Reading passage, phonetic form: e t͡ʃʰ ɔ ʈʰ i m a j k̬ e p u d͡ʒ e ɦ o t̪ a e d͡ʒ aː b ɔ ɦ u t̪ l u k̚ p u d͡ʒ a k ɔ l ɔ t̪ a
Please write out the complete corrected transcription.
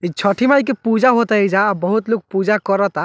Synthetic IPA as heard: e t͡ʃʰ ɔ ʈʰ i m a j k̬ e p u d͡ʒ a ɦ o t̪ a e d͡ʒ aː b ɔ ɦ u t̪ l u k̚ p u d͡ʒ a k ɔ ɾ ɔ t̪ a